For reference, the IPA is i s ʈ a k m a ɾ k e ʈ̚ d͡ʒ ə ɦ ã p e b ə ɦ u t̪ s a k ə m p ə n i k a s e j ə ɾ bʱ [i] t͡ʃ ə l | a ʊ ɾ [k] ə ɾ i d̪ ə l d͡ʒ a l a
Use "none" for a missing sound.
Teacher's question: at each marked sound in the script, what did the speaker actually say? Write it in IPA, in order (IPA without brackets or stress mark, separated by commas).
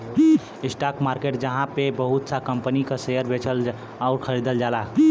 e, kʰ